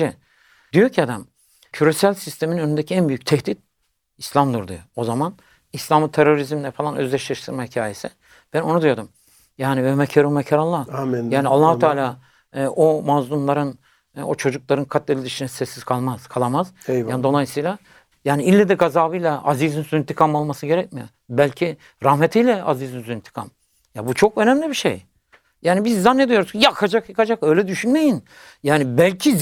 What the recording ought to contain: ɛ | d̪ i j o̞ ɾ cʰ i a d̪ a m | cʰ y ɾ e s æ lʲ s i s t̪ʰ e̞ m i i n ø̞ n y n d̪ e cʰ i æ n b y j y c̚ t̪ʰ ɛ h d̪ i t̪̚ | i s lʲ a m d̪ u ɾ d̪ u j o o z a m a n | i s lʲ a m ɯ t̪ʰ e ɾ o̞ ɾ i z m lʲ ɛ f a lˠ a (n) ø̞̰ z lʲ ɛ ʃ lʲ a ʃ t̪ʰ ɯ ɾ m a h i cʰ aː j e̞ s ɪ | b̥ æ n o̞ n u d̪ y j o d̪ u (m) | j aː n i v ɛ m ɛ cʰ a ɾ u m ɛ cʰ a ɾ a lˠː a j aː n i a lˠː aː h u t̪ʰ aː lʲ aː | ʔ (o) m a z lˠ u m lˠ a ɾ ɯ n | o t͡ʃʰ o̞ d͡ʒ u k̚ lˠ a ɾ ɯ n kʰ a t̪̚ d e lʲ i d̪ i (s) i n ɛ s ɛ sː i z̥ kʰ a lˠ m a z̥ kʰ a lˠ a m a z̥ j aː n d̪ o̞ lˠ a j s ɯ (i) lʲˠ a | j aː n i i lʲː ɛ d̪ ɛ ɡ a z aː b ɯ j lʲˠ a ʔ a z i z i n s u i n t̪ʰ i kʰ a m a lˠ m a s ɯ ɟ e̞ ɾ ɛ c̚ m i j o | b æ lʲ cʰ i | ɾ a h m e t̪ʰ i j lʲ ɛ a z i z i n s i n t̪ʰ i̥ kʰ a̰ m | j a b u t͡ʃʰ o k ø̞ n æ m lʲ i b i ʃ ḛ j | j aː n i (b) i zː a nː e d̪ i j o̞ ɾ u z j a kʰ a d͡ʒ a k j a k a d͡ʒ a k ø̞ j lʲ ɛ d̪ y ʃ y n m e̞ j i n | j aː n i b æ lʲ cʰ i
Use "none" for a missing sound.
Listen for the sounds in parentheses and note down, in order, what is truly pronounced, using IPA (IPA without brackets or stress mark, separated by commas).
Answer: n, m, o, ʃ, j, b